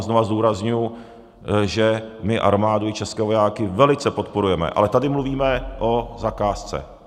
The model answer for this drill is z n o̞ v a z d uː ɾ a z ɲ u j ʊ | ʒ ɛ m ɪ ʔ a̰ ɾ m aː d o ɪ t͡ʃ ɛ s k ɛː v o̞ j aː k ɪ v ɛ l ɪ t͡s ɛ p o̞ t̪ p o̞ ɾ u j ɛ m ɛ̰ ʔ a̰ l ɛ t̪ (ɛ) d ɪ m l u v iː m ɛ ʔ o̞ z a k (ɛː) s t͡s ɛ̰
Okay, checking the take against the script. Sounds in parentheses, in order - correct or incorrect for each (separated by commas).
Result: incorrect, incorrect